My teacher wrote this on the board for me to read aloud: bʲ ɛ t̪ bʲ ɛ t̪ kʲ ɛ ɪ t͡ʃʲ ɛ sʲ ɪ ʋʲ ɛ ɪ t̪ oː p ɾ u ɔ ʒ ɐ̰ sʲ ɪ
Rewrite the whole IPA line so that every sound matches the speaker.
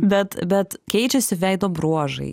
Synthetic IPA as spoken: bʲ ɛ t̪ bʲ ɛ t̪ kʲ ɛ ɪ t͡ʃʲ ɛ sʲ ɪ ʋʲ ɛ ɪ d̪ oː b ɾ u ɔ ʒ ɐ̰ ɪ